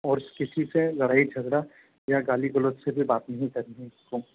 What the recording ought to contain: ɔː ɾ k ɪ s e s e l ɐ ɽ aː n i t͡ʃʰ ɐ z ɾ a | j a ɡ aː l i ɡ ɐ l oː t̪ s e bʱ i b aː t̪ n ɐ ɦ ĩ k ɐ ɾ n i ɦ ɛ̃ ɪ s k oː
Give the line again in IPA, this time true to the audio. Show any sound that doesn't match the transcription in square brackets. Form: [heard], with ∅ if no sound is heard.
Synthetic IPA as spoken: ɔː ɾ k ɪ s [i] s e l ɐ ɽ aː [∅] i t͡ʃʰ ɐ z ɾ a | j a ɡ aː l i ɡ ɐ l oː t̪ s e bʱ i b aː t̪ n ɐ ɦ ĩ k ɐ ɾ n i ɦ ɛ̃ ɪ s k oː

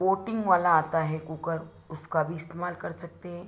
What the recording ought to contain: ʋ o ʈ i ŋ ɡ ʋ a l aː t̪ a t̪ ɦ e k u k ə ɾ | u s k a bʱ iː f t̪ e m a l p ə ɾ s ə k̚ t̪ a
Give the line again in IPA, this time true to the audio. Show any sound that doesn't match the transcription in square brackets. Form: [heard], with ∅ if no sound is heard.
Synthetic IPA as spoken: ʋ o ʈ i ŋ ɡ ʋ a l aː t̪ a [∅] ɦ e k u k ə ɾ | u s k a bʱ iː [s] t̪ e m a l [k] ə ɾ s ə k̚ t̪ [e]

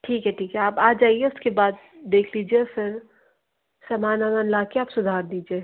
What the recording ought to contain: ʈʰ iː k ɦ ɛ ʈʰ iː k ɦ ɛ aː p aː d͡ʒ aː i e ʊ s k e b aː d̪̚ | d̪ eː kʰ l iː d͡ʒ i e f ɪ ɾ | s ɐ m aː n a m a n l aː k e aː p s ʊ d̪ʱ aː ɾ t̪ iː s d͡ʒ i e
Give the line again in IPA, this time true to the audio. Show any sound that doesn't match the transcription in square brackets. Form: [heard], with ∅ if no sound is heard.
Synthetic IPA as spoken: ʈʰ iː k ɦ ɛ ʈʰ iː k ɦ ɛ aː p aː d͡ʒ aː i e ʊ s k e b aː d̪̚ | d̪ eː kʰ l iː d͡ʒ i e f ɪ ɾ | s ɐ m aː n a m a n l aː k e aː p s ʊ d̪ʱ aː ɾ [d̪] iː [∅] d͡ʒ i e

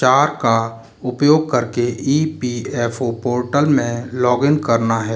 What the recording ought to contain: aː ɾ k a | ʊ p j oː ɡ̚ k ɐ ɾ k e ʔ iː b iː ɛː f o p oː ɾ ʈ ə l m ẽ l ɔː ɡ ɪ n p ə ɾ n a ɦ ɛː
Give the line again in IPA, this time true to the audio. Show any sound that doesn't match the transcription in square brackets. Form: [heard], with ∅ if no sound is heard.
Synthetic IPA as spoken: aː ɾ k a | ʊ p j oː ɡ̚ k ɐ ɾ k e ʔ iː [p] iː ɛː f o p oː ɾ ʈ ə l m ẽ l ɔː ɡ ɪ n [k] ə ɾ n a ɦ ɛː

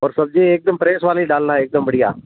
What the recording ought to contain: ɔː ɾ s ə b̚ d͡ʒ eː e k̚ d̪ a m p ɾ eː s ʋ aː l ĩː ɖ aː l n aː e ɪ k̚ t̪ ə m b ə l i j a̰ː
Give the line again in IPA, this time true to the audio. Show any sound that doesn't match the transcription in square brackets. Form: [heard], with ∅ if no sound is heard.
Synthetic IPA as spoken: ɔː ɾ s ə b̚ d͡ʒ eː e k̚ d̪ [ə] m p ɾ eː s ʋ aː l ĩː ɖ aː l n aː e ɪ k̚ [d̪] ə m b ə [ɽ] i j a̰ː

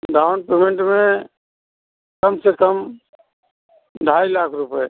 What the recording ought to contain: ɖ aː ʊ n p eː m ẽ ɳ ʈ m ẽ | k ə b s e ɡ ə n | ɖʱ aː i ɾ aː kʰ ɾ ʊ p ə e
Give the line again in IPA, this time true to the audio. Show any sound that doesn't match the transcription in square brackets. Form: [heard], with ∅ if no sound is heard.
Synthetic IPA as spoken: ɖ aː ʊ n p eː m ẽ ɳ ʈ m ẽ | k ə [m] s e [k] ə [m] | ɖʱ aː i [l] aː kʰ ɾ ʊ p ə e

